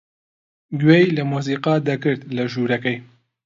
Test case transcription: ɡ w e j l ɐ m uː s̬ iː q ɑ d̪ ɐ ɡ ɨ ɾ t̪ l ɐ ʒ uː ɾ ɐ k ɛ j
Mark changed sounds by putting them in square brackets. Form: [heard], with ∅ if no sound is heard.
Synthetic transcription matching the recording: ɡ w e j l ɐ m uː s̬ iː q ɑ d̪ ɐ [k] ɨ ɾ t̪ l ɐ ʒ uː ɾ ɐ k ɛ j